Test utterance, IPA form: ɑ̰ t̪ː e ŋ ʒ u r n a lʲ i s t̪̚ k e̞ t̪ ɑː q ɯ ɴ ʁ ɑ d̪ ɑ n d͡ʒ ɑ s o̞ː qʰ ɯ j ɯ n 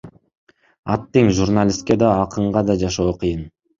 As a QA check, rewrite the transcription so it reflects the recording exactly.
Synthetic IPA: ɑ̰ t̪ː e ŋ ʒ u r n a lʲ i s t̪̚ k e̞ d̪ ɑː q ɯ ɴ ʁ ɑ d̪ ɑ d͡ʒ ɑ ʃ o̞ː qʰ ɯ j ɯ n